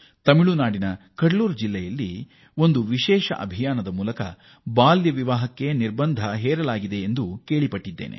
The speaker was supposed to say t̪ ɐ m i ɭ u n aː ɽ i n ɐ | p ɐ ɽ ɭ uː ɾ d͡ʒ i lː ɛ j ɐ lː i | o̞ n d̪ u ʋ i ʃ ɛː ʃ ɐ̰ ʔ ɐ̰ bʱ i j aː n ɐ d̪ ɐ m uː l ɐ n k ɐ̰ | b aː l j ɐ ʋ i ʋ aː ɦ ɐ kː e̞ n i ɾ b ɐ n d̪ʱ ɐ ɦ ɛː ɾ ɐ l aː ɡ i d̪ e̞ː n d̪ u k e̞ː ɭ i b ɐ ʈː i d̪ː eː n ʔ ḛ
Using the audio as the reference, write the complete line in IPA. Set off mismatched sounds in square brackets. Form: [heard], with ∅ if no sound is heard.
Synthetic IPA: t̪ ɐ m i ɭ u n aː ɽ i n ɐ | [k] ɐ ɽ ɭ uː ɾ d͡ʒ i lː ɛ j ɐ lː i | o̞ n d̪ u ʋ i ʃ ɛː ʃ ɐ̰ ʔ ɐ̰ bʱ i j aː n ɐ d̪ ɐ m uː l ɐ [∅] k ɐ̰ | b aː l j ɐ ʋ i ʋ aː ɦ ɐ kː e̞ n i ɾ b ɐ n d̪ʱ ɐ ɦ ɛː ɾ ɐ l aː ɡ i d̪ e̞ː n d̪ u k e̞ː ɭ i [p] ɐ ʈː i d̪ː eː n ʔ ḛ